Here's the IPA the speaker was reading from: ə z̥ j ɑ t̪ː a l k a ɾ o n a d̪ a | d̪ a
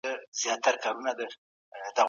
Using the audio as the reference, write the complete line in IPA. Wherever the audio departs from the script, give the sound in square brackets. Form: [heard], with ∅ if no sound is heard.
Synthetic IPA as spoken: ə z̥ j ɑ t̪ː a [ɾ] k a ɾ [u] n a d̪ [ə] | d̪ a